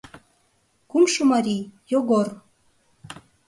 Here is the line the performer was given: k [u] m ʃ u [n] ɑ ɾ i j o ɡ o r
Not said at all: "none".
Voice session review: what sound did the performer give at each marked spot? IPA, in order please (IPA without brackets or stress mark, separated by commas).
u, m